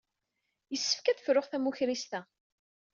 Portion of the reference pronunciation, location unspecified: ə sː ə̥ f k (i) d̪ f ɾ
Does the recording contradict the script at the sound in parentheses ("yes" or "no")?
yes